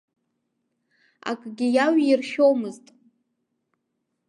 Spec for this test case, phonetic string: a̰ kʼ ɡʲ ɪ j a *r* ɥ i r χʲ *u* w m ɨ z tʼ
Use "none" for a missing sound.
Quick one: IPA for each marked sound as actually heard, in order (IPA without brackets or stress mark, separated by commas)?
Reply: none, o